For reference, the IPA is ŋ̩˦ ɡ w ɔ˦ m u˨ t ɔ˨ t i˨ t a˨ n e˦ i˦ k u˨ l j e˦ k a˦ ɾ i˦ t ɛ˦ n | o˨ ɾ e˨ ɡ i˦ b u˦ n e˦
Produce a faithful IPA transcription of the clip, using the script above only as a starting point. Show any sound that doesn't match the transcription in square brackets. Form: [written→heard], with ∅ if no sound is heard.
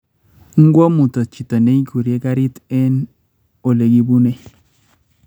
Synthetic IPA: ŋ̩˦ ɡ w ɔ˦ m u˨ t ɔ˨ [t→t͡ʃ] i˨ t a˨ n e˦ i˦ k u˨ [l→ɾ] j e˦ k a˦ ɾ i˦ t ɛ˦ n | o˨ [ɾ→l] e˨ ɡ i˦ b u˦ n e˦